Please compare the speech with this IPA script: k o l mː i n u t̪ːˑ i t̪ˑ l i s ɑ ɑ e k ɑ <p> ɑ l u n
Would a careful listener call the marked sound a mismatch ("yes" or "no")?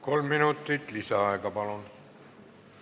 no